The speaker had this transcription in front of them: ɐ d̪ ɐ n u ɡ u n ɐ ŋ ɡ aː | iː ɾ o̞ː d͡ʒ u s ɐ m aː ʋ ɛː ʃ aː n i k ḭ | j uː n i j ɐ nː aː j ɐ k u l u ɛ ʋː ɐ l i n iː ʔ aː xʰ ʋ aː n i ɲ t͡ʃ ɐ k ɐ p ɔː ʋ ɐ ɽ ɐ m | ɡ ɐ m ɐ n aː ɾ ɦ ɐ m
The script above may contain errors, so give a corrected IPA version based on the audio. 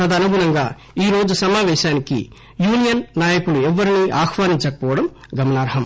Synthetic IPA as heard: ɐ d̪ ɐ n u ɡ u n ɐ ŋ ɡ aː | iː ɾ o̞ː d͡ʒ u s ɐ m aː ʋ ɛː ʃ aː n i k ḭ | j uː n i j ɐ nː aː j ɐ k u l u ɛ ʋː ɐ ɾ i n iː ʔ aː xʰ ʋ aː n i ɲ t͡ʃ ɐ k ɐ p ɔː ʋ ɐ ɽ ɐ m | ɡ ɐ m ɐ n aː ɾ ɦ ɐ m